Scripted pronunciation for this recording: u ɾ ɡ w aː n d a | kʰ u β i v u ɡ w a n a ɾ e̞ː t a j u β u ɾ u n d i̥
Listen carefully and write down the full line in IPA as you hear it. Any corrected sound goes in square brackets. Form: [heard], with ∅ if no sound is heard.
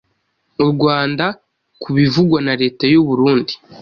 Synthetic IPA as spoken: u ɾ ɡ w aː n d a | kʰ u β i v u ɡ w a n a ɾ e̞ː t a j u β u ɾ [uː] n d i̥